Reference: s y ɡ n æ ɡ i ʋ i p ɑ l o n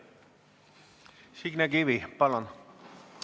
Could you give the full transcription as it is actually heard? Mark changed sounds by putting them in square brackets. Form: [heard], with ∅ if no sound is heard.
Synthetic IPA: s [i] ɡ n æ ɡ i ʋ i p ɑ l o n

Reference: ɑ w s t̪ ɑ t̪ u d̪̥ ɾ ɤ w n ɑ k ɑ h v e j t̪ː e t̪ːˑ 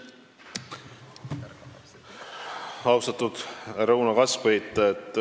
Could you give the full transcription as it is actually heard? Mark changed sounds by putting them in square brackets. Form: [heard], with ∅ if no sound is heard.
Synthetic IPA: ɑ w s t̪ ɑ t̪ u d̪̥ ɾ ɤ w n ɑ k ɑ [s] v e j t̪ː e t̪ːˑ

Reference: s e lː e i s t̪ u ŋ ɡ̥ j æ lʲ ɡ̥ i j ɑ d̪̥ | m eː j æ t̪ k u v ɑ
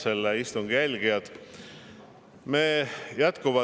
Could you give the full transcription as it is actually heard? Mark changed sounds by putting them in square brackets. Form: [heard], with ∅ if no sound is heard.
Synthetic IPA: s e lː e i s t̪ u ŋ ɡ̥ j æ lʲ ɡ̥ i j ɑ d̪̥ | m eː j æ t̪ k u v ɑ

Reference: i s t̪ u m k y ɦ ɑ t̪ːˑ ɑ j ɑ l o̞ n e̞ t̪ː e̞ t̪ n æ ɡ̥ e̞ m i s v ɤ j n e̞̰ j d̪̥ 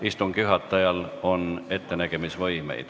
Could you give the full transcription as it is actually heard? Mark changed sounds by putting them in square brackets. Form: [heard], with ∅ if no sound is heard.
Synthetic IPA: i s t̪ u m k y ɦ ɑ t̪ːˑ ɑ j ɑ l o̞ n e̞ t̪ː e̞ [∅] n æ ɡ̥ e̞ m i s v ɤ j [m] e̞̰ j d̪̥

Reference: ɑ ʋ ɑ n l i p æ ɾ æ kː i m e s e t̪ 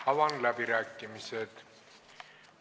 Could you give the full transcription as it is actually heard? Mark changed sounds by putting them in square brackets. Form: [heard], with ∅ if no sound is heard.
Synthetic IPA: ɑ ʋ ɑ n l [æ] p [i] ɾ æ kː i m [i] s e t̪

